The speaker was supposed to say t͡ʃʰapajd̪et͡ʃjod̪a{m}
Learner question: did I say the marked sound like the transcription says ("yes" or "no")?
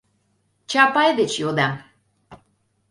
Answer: yes